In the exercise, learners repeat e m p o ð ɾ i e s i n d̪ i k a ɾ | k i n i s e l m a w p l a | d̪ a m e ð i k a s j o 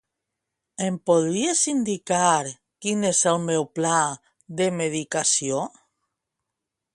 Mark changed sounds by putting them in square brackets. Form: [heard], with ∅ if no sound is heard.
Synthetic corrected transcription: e m p o ð ɾ i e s i n d̪ i k a ɾ | k i n [e] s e l m [e] w p l a | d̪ [e] m e ð i k a s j o